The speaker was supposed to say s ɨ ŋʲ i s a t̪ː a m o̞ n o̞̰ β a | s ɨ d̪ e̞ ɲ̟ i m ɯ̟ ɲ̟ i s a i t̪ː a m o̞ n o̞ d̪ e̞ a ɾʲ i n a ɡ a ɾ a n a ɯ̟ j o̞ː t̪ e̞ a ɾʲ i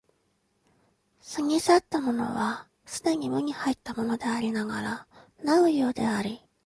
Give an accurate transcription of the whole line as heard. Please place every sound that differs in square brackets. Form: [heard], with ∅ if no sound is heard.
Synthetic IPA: s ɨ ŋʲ i s a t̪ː a m o̞ n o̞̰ β a | s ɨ d̪ e̞ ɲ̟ i m ɯ̟ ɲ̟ i [h] a i t̪ː a m o̞ n o̞ d̪ e̞ a ɾʲ i n a ɡ a ɾ a n a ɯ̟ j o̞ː [d̪] e̞ a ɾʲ i